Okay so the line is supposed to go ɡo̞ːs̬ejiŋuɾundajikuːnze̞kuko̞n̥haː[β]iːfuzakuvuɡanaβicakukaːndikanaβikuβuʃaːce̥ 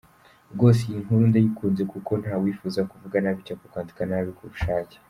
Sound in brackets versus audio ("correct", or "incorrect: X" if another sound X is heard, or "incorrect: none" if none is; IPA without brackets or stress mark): incorrect: w